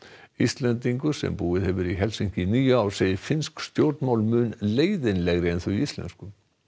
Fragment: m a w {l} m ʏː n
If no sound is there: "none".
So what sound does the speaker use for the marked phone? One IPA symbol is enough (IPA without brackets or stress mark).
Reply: l